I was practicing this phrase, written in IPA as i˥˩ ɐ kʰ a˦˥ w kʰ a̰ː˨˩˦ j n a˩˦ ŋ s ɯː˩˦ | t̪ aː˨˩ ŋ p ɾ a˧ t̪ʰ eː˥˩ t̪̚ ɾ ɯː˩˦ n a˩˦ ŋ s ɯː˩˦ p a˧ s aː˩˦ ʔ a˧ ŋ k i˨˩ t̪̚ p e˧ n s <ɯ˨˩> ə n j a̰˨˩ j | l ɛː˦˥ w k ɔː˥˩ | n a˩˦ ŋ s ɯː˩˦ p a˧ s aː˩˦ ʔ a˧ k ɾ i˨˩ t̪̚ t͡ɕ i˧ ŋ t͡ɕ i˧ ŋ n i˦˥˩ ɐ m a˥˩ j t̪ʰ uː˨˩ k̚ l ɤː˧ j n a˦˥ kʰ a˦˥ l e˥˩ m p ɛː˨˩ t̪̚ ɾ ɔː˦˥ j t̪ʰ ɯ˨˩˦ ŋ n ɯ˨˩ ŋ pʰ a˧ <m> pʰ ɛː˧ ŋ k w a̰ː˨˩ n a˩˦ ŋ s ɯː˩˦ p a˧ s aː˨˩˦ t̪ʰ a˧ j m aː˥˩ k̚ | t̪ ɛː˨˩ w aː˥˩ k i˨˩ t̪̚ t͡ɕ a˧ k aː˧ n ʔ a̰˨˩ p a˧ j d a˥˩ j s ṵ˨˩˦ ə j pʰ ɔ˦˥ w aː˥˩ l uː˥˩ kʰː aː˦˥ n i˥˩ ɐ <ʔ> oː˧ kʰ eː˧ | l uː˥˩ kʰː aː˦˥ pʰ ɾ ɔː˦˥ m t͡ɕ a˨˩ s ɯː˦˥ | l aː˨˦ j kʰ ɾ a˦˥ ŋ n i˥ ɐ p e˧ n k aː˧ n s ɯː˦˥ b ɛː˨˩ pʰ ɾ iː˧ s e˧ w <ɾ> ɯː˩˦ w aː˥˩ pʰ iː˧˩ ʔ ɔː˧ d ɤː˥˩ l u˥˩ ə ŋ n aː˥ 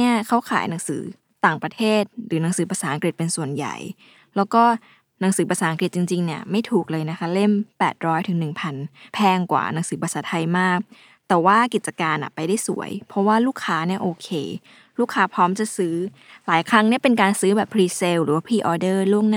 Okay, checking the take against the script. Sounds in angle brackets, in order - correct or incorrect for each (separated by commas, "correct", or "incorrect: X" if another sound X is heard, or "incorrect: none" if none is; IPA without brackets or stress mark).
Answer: incorrect: u˨˩, incorrect: n, correct, correct